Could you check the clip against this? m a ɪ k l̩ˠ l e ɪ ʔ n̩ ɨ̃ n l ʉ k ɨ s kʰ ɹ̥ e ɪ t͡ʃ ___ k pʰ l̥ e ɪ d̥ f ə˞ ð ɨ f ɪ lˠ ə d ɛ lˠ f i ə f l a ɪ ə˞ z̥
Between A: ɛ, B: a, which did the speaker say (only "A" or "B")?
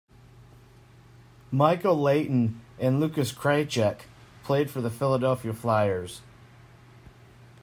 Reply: A